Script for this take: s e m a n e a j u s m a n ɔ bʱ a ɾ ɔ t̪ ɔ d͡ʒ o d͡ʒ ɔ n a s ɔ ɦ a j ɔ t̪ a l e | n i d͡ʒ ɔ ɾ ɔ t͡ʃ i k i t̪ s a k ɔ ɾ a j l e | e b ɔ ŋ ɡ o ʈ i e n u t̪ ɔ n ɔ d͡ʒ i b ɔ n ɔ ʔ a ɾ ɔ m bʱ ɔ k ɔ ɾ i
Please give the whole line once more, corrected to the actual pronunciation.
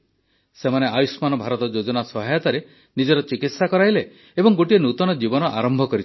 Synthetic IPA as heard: s e m a n e a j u s m a n ɔ bʱ a ɾ ɔ t̪ ɔ d͡ʒ o d͡ʒ ɔ n a s ɔ ɦ a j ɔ t̪ a ɾ e | n i d͡ʒ ɔ ɾ ɔ t͡ʃ i k i t̪ s a k ɔ ɾ a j l e | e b ɔ ŋ ɡ o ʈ i e n u t̪ ɔ n ɔ d͡ʒ i b ɔ n ɔ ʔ a ɾ ɔ m bʱ ɔ k ɔ ɾ i